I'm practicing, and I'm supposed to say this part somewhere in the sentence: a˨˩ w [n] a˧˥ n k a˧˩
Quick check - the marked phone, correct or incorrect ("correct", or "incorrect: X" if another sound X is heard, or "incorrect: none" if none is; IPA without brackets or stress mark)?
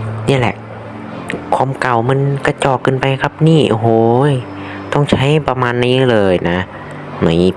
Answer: incorrect: m